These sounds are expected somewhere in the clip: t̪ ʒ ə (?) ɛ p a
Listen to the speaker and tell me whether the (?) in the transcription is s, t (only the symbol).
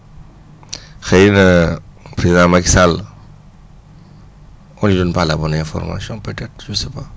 s